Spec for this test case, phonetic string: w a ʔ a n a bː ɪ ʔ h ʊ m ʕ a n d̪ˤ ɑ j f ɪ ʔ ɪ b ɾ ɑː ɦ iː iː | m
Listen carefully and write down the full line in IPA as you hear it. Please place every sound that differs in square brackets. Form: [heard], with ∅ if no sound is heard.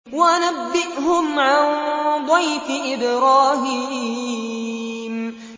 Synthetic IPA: w a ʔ a n a bː ɪ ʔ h ʊ m ʕ a n d̪ˤ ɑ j f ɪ ʔ ɪ b ɾ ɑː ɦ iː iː | m